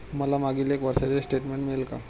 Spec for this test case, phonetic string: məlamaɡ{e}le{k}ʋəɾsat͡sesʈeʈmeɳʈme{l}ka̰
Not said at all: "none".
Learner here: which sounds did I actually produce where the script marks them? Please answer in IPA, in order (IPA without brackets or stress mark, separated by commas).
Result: i, k, l